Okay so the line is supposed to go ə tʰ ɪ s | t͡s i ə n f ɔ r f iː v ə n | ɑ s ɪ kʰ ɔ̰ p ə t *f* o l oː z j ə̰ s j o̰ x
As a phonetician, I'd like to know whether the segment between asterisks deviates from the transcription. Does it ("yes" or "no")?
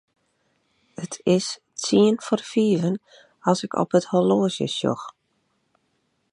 yes